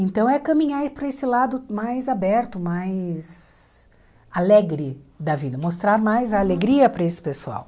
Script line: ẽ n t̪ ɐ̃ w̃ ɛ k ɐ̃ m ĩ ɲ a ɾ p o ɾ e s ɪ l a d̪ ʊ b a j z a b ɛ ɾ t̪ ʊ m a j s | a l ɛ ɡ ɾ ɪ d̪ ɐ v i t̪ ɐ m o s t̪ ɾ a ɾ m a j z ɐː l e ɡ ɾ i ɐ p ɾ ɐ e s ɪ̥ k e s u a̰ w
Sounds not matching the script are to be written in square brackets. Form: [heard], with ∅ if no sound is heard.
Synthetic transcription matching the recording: ẽ n t̪ ɐ̃ w̃ ɛ k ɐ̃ m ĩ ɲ a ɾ p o ɾ e s ɪ l a d̪ ʊ [m] a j z a b ɛ ɾ t̪ ʊ m a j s | a l ɛ ɡ ɾ ɪ d̪ ɐ v i [d̪] ɐ m o s t̪ ɾ a ɾ m a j z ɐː l e ɡ ɾ i ɐ p ɾ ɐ e s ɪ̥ [p] e s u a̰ w